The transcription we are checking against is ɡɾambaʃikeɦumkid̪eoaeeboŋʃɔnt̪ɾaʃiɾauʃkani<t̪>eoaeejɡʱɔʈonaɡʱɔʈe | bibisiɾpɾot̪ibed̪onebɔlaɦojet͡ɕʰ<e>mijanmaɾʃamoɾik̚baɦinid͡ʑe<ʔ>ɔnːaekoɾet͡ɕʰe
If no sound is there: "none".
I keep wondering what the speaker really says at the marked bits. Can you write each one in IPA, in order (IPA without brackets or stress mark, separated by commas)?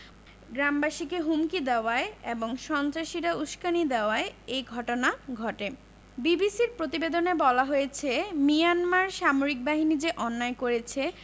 d̪, e, ʔ